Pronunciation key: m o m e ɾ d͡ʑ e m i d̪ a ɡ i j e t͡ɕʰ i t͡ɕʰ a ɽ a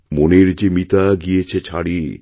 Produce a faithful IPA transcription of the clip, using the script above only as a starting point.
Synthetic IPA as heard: m o n e ɾ d͡ʑ e m i t̪ a ɡ i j e t͡ɕʰ e t͡ɕʰ a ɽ i